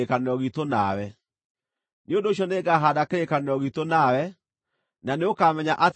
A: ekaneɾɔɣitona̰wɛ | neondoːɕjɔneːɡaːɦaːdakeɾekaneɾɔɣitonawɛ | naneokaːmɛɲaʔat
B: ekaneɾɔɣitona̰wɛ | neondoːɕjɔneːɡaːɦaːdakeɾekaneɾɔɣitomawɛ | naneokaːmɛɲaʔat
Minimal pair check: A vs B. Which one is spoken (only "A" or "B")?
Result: A